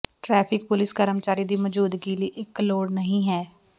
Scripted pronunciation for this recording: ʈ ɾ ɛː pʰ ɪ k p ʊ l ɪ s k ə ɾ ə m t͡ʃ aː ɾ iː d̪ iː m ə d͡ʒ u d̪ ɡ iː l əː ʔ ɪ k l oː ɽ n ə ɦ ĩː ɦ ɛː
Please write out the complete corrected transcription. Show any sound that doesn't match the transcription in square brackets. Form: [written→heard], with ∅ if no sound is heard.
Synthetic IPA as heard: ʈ ɾ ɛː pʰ ɪ k p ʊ l ɪ s k ə ɾ ə m t͡ʃ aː ɾ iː d̪ iː m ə d͡ʒ [u→uː] d̪ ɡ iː l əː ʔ ɪ k l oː ɽ n ə ɦ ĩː ɦ ɛː